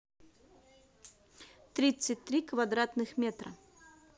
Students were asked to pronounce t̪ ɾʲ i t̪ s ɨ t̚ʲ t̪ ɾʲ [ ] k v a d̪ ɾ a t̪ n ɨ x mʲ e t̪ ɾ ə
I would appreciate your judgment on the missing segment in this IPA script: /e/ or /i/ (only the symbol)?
i